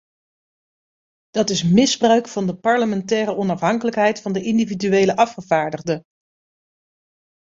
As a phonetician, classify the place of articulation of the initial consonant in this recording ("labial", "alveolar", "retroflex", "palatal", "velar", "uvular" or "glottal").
alveolar